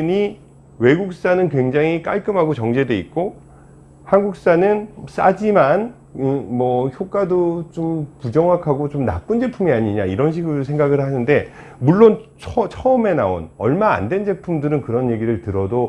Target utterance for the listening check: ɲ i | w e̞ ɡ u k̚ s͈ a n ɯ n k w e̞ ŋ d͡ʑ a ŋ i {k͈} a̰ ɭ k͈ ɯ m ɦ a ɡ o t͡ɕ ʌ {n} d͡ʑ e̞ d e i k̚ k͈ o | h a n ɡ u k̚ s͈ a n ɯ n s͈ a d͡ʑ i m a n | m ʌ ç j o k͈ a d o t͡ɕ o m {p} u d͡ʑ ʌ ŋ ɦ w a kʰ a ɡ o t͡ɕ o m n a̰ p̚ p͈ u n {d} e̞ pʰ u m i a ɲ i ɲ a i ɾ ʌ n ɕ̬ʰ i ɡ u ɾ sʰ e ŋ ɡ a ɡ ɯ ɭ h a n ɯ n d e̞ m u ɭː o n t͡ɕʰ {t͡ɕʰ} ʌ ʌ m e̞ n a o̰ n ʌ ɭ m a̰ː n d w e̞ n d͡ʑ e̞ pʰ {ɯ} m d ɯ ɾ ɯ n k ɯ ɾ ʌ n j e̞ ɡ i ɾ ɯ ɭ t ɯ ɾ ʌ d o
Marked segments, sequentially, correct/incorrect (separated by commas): correct, incorrect, correct, incorrect, correct, incorrect